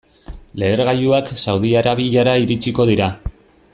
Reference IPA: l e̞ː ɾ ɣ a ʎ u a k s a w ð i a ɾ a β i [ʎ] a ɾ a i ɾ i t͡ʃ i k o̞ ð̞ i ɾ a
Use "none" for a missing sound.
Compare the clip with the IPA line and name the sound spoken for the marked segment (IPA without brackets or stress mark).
ʎ